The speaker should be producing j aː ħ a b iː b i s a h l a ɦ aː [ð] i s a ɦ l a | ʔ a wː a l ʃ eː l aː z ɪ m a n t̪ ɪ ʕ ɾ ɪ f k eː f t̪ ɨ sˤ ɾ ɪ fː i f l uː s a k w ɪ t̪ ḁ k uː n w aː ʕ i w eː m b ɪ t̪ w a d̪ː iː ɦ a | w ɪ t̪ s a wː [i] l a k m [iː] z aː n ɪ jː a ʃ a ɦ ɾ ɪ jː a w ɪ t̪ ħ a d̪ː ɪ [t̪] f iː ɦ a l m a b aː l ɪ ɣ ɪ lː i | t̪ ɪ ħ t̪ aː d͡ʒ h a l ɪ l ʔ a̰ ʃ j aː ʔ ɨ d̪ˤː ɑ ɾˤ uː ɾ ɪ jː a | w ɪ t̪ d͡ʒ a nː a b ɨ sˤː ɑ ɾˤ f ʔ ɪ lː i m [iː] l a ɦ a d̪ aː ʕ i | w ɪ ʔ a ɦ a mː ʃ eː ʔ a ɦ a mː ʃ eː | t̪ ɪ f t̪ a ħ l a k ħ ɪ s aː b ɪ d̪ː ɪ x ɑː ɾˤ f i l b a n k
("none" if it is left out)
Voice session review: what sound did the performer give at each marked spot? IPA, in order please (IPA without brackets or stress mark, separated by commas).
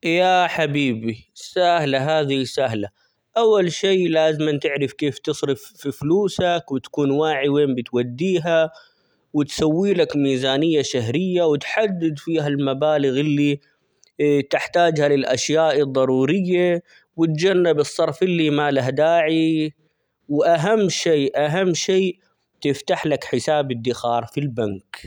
ð, iː, iː, d̪, aː